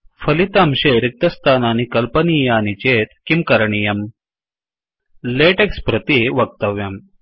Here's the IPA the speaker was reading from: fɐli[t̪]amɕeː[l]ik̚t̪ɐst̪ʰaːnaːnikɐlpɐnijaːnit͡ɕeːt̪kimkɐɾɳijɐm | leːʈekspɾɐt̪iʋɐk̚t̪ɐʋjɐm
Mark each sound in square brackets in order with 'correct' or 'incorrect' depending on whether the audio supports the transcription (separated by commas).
correct, incorrect